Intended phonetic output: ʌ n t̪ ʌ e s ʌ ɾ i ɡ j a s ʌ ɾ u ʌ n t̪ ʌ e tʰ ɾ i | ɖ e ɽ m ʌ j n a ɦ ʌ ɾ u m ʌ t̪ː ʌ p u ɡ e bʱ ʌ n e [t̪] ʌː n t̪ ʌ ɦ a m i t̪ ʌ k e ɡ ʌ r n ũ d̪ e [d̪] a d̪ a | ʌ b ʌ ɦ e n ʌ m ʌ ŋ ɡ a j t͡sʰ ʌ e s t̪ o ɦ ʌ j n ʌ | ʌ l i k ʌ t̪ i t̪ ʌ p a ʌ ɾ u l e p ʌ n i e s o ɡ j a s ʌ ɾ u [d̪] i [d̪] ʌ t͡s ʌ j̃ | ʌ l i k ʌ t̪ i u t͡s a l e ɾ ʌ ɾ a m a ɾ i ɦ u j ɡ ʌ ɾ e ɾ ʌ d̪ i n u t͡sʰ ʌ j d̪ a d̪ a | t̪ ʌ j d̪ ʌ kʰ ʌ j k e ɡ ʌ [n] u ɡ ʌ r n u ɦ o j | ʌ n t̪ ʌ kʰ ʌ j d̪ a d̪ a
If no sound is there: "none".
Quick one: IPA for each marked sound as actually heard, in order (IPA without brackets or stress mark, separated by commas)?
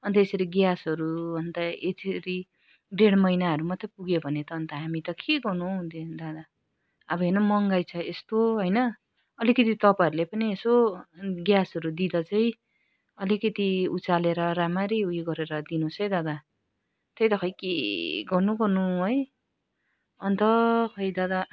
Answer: t̪, d̪, d̪, d̪, n